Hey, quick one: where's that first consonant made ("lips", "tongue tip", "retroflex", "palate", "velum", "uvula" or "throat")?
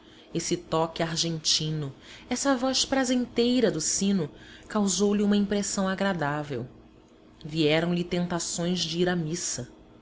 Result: tongue tip